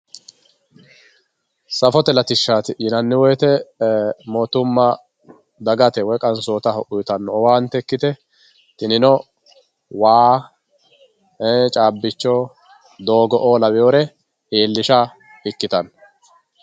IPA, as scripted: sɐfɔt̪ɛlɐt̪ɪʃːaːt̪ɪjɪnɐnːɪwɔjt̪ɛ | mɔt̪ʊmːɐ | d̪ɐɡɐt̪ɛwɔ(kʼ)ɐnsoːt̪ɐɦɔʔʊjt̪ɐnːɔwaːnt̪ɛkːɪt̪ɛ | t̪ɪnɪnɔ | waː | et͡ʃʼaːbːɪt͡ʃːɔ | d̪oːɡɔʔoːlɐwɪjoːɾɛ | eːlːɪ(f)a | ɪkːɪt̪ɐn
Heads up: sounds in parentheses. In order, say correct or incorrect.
correct, incorrect: ʃ

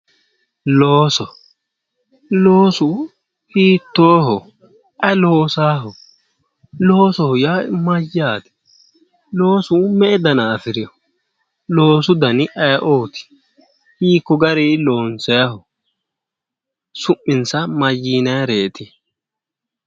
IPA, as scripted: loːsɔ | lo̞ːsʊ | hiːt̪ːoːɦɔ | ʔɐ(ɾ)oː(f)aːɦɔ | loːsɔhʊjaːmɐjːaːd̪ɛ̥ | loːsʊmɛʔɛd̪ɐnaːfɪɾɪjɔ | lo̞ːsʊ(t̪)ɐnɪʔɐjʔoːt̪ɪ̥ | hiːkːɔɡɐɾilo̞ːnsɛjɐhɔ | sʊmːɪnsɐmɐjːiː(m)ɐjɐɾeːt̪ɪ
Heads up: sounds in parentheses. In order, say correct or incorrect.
incorrect: l, incorrect: s, incorrect: d̪, incorrect: n

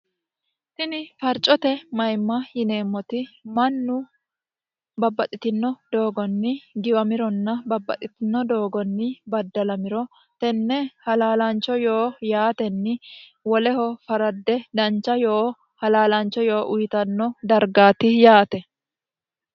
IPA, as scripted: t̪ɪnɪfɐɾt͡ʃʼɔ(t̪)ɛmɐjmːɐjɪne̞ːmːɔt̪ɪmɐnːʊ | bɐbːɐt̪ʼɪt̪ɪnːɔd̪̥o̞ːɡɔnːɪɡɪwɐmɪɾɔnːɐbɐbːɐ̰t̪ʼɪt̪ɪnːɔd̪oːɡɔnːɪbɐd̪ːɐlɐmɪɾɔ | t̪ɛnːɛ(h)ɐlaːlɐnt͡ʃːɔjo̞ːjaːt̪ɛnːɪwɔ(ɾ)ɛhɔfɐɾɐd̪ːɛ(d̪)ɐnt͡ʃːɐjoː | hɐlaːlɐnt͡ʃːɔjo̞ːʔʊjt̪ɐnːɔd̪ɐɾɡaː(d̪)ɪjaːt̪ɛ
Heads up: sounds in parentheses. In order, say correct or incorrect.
correct, correct, incorrect: l, correct, incorrect: t̪

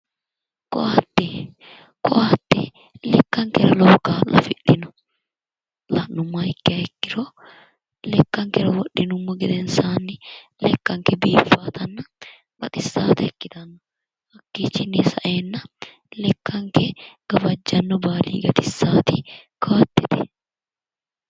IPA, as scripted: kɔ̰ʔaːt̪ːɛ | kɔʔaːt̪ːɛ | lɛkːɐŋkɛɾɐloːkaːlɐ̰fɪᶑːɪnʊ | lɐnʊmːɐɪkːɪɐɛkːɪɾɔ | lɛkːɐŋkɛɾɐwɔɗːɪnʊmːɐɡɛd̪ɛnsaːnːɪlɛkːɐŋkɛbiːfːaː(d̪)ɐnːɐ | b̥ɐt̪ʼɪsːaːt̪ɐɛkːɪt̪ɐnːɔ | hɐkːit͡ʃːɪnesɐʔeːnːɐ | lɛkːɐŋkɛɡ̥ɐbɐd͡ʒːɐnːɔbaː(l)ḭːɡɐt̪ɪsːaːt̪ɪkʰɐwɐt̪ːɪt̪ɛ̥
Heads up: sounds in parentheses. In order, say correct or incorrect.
incorrect: t̪, correct

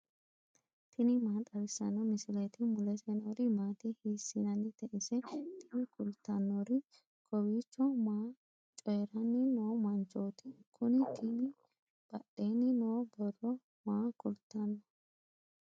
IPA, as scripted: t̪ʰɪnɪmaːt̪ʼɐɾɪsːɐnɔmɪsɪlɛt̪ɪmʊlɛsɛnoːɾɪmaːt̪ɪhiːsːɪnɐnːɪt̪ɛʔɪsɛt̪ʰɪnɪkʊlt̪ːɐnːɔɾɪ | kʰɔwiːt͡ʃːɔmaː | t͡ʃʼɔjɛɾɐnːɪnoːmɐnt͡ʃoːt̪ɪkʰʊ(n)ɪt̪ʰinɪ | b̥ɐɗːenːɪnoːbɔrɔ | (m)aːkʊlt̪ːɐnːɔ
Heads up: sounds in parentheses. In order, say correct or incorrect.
correct, correct

